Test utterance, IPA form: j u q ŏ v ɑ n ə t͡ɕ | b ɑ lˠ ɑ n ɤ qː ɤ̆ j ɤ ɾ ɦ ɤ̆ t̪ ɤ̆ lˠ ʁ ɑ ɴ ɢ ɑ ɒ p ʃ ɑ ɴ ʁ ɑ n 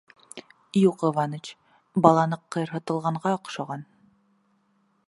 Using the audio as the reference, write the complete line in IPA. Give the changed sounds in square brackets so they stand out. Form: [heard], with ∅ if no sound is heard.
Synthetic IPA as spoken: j u q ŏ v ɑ n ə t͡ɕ | b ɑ lˠ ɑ n ɤ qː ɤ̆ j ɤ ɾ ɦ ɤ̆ t̪ ɤ̆ lˠ ʁ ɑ ɴ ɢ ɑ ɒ [q] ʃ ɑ [∅] ʁ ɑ n